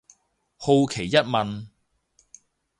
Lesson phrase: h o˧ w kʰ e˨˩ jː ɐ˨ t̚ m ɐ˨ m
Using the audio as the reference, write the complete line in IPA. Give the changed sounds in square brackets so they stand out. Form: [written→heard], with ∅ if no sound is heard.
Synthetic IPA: h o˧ w kʰ e˨˩ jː [ɐ˨→ɐ˥] t̚ m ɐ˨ [m→n]

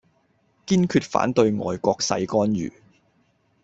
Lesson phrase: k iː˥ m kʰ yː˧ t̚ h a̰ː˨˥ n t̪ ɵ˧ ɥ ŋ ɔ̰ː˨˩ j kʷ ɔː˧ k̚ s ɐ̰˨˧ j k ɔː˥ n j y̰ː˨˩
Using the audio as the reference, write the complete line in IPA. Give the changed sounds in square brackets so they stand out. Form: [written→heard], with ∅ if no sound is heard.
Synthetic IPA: k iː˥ [m→n] kʰ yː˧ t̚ [h→f] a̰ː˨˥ n t̪ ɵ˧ ɥ ŋ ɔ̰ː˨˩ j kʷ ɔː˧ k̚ s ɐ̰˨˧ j k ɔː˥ n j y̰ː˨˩

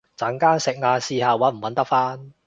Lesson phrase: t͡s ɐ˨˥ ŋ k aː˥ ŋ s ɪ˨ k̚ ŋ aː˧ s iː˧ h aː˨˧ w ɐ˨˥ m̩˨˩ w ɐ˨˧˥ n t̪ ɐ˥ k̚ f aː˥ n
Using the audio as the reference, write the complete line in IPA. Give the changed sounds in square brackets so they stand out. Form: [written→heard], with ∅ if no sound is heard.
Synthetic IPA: t͡s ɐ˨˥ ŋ k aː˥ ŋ s ɪ˨ k̚ ŋ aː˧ s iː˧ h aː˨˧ w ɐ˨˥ m̩˨˩ w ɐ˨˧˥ n t̪ ɐ˥ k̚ f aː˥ n

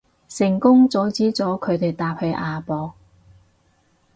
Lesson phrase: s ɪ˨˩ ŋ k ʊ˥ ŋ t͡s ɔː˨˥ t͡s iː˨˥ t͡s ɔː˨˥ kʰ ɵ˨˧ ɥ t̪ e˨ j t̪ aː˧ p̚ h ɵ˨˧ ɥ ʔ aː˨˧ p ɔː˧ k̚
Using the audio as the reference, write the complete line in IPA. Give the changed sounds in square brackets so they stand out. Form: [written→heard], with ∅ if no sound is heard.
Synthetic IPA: s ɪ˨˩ ŋ k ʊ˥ ŋ t͡s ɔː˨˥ t͡s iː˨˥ t͡s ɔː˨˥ kʰ ɵ˨˧ ɥ t̪ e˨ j t̪ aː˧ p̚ h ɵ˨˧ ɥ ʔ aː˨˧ p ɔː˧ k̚

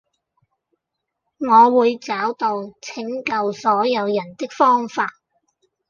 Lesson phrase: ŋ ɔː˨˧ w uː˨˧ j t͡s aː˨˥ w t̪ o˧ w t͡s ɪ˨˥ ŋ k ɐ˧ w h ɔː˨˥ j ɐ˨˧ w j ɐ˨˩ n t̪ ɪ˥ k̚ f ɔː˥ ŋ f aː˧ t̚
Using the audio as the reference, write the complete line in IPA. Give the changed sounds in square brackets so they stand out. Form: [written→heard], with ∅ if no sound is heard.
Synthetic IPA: ŋ ɔː˨˧ w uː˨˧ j t͡s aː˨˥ w t̪ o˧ w [t͡s→t͡sʰ] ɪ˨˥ ŋ k ɐ˧ w [h→s] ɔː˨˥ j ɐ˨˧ w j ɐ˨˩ n t̪ ɪ˥ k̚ f ɔː˥ ŋ f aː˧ t̚

